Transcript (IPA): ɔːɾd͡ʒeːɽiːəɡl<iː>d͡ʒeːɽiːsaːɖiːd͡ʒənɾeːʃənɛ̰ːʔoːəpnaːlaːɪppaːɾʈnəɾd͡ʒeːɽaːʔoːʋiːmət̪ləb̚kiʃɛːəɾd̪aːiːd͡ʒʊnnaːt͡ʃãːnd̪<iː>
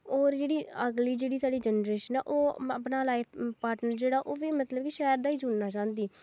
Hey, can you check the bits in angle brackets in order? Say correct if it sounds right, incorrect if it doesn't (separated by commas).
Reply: correct, correct